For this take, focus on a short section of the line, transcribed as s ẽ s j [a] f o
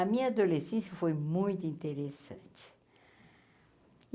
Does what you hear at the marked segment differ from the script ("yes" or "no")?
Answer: yes